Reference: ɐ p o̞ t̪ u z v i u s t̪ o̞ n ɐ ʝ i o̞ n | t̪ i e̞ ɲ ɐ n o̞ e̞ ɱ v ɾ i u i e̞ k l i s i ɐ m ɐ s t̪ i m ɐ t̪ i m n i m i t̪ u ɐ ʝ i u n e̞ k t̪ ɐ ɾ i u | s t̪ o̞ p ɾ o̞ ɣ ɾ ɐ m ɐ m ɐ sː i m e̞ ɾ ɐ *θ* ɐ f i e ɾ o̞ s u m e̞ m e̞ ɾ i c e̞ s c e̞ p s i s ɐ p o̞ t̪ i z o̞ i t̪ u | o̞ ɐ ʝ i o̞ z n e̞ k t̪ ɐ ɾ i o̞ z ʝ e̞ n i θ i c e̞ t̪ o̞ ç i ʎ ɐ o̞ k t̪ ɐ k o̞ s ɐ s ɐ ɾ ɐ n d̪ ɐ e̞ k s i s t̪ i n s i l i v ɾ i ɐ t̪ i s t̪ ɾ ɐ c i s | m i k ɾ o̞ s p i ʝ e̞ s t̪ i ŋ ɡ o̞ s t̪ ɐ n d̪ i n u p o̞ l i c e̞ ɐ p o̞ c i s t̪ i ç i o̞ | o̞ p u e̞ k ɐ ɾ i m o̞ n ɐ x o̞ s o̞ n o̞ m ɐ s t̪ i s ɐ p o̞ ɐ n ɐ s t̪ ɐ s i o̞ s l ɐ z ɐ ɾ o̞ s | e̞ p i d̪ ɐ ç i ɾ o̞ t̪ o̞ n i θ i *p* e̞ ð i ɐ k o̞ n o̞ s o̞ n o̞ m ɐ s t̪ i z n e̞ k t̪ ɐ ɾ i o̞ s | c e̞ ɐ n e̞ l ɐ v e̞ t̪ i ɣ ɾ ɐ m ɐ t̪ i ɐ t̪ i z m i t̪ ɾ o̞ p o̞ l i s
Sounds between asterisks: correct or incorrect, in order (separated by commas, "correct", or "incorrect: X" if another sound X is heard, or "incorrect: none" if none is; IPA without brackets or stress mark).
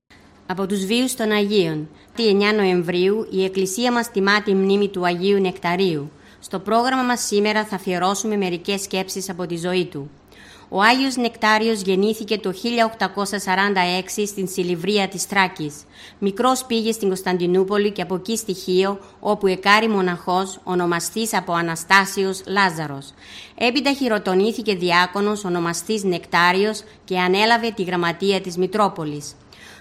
correct, incorrect: c